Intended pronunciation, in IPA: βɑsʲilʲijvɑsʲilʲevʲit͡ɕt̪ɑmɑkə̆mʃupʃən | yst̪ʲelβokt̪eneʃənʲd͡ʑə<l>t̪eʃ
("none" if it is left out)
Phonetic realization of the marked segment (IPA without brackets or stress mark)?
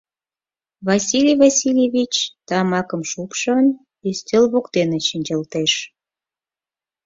l